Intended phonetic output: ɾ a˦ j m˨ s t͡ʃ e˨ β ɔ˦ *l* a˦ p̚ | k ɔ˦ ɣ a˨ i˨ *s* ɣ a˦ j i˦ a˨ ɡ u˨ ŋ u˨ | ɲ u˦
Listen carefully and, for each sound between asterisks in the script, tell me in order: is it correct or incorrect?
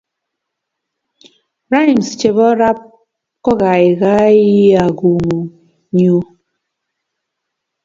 incorrect, incorrect

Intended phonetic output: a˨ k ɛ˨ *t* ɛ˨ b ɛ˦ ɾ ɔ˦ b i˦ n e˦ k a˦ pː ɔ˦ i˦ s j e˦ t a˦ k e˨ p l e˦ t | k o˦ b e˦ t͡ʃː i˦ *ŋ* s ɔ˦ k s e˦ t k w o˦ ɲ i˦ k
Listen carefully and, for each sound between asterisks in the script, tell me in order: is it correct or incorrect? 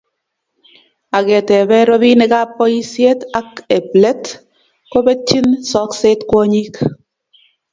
correct, incorrect

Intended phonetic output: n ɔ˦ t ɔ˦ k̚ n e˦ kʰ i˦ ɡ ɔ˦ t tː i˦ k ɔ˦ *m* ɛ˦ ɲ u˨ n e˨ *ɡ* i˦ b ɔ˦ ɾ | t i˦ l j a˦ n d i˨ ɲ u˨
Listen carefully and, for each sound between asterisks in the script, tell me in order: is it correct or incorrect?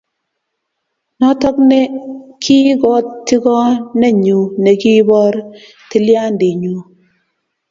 incorrect, incorrect

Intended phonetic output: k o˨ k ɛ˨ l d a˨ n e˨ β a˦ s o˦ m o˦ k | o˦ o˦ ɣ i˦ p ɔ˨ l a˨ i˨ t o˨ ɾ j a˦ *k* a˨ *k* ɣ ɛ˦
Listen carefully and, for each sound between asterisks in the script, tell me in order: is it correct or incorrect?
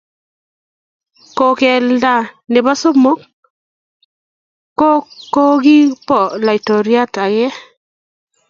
incorrect, incorrect

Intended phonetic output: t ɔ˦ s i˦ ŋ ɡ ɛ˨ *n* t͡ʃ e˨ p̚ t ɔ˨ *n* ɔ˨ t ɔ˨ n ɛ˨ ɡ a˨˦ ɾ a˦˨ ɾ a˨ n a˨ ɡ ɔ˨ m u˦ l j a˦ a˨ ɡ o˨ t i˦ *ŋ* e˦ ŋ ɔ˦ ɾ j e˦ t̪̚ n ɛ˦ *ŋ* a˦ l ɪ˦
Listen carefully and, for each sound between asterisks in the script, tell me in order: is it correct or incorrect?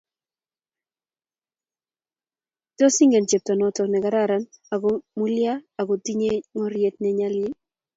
correct, correct, incorrect, incorrect

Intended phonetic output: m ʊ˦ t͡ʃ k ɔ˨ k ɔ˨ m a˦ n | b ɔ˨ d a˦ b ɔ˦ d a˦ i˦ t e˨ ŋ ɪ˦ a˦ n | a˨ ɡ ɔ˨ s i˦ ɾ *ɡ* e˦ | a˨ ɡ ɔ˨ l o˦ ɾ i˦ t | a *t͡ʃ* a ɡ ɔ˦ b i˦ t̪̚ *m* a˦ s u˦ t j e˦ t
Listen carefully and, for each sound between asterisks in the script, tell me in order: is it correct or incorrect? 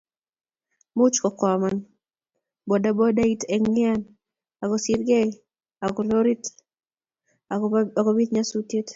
correct, incorrect, incorrect

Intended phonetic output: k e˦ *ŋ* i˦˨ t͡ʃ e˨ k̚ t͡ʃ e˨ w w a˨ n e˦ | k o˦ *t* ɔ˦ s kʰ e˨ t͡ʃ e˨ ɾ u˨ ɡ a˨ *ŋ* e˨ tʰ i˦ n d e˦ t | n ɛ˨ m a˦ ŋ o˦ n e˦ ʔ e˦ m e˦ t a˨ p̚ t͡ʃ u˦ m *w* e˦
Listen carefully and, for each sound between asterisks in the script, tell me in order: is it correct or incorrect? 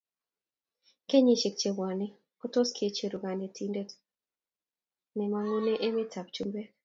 incorrect, correct, incorrect, incorrect

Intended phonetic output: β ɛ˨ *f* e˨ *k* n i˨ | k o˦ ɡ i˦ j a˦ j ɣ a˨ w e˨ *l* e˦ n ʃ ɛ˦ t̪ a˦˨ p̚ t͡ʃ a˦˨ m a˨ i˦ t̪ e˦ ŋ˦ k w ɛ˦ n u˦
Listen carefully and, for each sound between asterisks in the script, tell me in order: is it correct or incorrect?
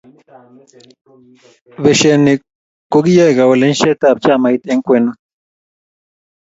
incorrect, incorrect, correct

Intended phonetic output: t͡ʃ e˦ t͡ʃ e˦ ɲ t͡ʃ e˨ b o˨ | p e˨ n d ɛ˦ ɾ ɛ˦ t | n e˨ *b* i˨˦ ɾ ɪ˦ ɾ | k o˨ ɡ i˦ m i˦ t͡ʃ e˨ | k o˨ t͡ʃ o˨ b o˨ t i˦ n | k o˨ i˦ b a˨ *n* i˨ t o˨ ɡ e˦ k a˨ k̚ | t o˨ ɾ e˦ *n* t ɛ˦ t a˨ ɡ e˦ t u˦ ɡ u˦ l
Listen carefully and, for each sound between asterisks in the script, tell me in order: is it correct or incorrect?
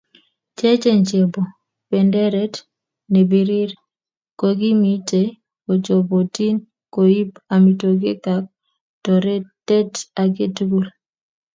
correct, incorrect, incorrect

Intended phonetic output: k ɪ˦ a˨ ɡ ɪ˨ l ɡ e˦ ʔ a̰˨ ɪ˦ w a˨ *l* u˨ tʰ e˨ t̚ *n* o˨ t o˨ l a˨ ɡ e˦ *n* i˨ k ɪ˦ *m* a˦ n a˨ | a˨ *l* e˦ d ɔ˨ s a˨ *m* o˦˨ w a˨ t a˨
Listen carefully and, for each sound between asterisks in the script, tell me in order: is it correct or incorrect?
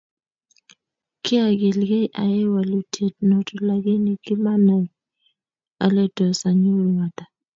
correct, correct, correct, correct, correct, incorrect

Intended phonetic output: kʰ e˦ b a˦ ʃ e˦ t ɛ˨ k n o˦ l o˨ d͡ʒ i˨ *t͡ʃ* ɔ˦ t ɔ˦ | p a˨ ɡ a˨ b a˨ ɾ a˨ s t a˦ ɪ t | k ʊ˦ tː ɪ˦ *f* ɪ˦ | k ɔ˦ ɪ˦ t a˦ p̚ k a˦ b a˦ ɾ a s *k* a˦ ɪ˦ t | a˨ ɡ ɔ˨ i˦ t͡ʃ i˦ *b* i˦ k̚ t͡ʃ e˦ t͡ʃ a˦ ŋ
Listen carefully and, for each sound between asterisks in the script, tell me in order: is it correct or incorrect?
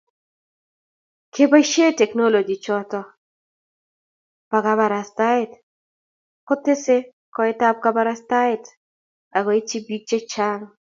correct, incorrect, incorrect, correct

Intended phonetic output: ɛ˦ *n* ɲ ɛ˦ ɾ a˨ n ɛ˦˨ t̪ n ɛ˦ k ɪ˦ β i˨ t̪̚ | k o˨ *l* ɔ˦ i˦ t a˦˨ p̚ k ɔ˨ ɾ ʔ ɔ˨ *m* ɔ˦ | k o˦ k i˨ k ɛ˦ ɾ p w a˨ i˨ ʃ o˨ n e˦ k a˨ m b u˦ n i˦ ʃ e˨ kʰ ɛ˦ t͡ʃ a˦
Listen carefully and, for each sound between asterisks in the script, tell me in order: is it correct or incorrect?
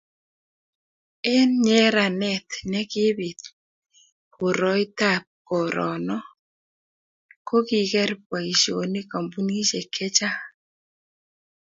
correct, incorrect, incorrect

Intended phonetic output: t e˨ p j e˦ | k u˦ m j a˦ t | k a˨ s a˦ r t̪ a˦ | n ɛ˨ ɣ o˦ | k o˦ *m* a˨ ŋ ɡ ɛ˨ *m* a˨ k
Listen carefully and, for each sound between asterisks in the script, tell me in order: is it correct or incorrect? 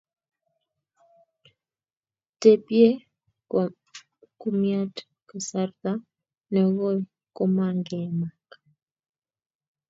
correct, correct

